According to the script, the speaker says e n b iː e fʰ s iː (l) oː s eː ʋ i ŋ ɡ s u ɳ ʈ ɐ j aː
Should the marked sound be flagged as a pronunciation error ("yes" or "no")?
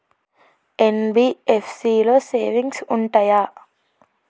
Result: no